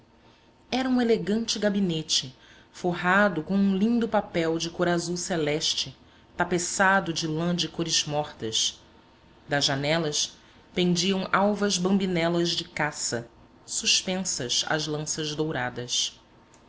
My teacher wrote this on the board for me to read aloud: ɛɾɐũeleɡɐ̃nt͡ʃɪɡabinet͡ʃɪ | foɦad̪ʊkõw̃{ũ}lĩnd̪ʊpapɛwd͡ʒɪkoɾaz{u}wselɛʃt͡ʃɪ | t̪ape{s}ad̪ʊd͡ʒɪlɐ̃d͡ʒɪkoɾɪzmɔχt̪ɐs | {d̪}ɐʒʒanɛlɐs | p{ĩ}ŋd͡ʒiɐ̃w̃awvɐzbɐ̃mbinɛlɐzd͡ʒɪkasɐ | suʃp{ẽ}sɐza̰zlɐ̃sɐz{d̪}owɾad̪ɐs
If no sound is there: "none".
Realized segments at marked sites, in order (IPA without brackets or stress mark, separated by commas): ũ, u, s, d̪, ẽ, ẽ, d̪